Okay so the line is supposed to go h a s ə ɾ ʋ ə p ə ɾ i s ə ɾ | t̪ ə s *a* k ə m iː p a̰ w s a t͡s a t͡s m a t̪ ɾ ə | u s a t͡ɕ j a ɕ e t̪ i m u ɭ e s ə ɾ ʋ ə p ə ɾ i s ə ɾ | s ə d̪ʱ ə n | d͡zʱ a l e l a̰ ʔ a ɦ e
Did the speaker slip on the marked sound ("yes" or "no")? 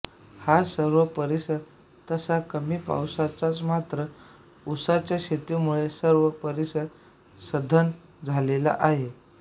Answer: no